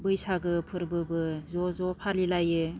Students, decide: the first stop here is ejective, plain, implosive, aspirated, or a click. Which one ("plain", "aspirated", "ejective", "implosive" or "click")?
plain